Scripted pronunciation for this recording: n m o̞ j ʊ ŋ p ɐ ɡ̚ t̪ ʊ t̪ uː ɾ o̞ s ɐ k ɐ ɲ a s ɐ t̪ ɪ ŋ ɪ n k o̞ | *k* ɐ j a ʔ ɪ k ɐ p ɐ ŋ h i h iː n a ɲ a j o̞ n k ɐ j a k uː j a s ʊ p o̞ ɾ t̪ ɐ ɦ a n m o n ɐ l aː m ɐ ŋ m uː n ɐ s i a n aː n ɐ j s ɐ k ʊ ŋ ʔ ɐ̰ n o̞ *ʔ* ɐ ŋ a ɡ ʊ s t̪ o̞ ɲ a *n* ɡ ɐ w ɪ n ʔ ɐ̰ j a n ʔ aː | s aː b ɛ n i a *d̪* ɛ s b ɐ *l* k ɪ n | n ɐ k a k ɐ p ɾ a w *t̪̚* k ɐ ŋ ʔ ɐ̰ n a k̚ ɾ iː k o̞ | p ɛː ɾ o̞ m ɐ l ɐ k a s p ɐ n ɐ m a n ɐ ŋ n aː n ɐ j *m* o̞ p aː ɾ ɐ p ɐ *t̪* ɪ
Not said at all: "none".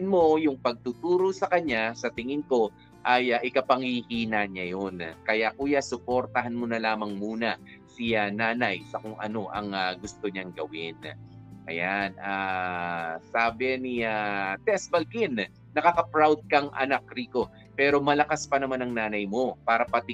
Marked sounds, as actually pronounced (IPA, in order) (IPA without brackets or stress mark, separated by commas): ʔ, ʔ, ŋ, t̪, l, d̪̚, m, t̪